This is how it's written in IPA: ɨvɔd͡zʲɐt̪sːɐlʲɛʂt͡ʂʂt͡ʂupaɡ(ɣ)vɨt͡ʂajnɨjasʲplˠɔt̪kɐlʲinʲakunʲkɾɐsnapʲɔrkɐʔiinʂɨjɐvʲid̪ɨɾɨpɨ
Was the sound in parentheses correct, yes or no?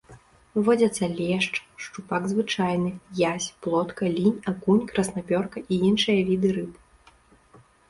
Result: no